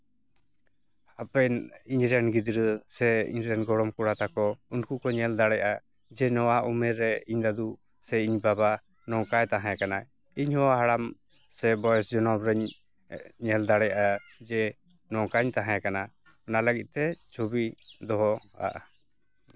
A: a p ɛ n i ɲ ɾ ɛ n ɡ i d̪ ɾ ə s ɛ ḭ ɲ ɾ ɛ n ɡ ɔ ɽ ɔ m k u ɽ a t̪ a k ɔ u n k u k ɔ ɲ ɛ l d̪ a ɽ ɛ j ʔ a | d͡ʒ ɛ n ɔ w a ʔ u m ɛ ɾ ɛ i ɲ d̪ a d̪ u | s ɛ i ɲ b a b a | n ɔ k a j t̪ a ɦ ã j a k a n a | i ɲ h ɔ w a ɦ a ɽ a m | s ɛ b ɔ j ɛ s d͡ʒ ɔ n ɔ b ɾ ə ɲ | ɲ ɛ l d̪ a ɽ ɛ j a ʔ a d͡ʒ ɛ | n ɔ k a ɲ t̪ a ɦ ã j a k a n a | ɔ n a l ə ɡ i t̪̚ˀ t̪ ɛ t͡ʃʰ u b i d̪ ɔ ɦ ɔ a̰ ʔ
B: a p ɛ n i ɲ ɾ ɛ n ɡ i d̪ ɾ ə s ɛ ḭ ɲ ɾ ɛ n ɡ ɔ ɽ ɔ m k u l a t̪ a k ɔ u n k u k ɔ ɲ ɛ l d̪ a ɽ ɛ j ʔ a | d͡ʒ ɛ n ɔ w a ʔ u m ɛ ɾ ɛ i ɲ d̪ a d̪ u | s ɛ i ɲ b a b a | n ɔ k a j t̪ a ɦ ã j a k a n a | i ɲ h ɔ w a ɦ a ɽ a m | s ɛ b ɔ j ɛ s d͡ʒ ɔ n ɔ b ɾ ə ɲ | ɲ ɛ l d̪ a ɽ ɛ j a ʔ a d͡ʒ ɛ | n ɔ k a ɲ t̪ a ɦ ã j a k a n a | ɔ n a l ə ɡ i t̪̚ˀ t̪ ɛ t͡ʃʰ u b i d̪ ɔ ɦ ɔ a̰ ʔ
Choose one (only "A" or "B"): A